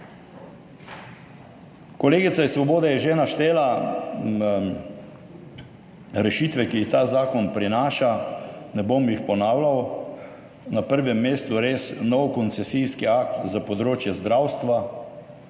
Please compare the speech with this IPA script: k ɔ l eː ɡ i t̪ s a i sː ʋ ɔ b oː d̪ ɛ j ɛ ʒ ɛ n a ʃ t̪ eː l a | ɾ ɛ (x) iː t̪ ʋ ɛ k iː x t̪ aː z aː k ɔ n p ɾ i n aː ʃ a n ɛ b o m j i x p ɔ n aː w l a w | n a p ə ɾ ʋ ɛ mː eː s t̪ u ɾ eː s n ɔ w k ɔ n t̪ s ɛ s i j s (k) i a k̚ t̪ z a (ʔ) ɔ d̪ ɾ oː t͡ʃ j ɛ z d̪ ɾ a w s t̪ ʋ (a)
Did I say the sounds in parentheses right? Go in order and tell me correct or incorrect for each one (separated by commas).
incorrect, correct, incorrect, correct